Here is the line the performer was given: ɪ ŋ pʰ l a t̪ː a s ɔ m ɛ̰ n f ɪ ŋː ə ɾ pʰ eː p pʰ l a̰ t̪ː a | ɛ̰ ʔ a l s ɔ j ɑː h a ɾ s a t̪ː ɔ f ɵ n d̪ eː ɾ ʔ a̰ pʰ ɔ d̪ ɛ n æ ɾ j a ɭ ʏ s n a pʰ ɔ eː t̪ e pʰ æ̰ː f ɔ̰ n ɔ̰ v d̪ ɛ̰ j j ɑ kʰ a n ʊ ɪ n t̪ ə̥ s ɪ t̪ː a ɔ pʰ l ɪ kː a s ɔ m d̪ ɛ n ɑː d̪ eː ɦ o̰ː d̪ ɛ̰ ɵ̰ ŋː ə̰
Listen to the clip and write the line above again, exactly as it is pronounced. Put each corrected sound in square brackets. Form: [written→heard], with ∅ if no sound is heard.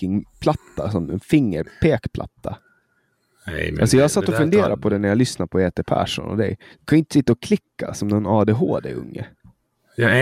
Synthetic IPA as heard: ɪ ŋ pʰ l a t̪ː a s ɔ m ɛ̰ n f ɪ ŋː ə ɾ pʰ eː [p→k] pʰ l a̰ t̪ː a | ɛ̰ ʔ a l s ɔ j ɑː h a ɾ s a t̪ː ɔ f ɵ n d̪ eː ɾ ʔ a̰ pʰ ɔ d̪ ɛ n æ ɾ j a [ɭ→l] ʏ s n a pʰ ɔ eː t̪ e pʰ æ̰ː [f→ʂ] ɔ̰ n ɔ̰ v d̪ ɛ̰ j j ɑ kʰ a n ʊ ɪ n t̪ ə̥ s ɪ t̪ː a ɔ [pʰ→kʰ] l ɪ kː a s ɔ m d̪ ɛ n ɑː d̪ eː ɦ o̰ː d̪ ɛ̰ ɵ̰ ŋː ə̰